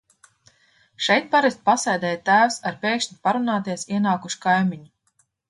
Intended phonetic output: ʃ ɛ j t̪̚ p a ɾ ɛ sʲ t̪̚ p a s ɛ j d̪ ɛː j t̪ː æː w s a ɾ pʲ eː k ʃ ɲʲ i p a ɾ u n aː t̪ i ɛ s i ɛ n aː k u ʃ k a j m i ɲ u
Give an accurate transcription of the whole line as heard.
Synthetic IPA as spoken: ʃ ɛ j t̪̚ p a ɾ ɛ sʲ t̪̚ p a s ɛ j d̪ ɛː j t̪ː æː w s a ɾ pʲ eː k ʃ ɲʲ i p a ɾ u n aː t̪ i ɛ s i ɛ n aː k u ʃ k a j m i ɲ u